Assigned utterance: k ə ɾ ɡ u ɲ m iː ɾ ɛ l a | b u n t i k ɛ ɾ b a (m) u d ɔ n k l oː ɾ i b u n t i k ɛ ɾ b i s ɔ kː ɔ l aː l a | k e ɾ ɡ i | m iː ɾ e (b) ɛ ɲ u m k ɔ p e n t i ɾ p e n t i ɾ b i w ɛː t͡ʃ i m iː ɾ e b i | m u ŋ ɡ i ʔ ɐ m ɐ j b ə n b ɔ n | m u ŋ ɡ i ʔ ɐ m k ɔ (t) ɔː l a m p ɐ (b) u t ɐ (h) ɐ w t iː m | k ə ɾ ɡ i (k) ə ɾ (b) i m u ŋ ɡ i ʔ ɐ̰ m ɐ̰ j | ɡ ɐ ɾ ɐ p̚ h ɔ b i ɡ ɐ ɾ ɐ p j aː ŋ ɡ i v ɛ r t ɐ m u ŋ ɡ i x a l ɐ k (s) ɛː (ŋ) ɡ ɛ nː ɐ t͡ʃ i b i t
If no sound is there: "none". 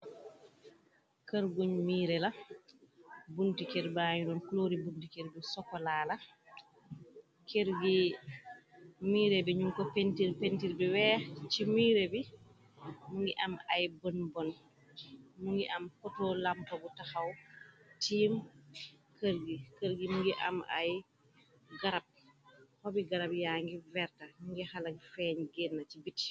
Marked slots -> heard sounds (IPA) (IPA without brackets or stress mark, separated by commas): ɲ, b, t, b, x, k, ɡ, f, ɲ